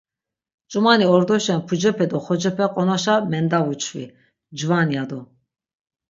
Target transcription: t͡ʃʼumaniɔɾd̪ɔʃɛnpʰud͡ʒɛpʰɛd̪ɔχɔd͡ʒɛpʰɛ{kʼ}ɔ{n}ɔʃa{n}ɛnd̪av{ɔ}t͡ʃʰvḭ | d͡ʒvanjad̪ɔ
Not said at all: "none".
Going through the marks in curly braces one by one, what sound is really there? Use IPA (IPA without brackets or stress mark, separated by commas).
qʼ, n, m, u